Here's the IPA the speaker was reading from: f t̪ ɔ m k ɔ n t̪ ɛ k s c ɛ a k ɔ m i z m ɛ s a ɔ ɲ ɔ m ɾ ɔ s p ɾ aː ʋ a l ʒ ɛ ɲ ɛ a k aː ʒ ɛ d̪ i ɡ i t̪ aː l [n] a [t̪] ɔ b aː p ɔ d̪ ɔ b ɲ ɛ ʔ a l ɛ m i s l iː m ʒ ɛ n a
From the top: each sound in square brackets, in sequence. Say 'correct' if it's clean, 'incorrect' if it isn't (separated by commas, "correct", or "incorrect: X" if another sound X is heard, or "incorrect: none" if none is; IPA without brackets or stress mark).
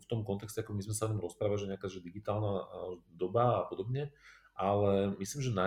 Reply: correct, incorrect: d̪